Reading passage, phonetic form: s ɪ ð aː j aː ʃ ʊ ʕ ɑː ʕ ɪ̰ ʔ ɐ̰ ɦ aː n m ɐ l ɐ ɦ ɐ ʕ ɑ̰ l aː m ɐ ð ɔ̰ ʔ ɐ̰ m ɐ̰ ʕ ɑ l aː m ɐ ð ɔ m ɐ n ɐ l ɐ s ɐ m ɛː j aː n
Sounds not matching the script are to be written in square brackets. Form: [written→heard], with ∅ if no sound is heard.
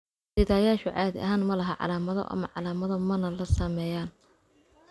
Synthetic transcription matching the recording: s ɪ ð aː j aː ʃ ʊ ʕ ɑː [ʕ→ð] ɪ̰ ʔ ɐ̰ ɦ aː n m ɐ l ɐ ɦ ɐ ʕ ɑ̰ l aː m ɐ ð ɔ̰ ʔ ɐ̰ m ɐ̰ ʕ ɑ l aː m ɐ ð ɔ m ɐ n ɐ l ɐ s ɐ m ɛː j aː n

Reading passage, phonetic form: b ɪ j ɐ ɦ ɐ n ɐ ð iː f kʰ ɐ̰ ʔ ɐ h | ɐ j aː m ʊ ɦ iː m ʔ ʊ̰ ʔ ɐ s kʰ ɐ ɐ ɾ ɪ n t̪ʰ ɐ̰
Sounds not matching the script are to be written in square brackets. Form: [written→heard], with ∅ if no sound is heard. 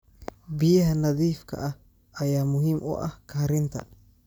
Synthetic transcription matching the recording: b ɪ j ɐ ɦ ɐ n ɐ ð iː f kʰ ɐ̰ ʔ ɐ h | ɐ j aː m ʊ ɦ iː m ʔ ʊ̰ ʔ ɐ [s→h] kʰ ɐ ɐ ɾ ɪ n t̪ʰ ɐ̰

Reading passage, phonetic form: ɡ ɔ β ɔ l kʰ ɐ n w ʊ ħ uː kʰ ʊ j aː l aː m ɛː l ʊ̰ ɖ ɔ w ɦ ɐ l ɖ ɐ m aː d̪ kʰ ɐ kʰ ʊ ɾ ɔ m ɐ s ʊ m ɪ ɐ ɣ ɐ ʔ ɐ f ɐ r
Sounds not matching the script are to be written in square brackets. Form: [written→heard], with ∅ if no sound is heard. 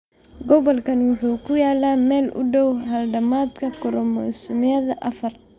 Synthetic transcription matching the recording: ɡ ɔ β ɔ l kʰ ɐ n w ʊ ħ uː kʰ ʊ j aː l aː m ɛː l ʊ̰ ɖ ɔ w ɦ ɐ l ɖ ɐ m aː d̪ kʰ ɐ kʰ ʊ ɾ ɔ m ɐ s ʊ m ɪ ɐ [ɣ→ð] ɐ ʔ ɐ f ɐ r

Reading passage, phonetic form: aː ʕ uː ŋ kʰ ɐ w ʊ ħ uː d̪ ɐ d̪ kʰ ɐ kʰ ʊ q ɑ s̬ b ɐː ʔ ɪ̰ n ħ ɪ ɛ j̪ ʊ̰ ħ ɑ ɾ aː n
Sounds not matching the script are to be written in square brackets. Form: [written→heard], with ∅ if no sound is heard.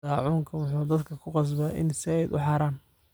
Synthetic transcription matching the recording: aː ʕ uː ŋ kʰ ɐ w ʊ ħ uː d̪ ɐ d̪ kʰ ɐ kʰ ʊ q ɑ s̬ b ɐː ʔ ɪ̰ n [ħ→s] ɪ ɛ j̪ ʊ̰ ħ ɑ ɾ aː n

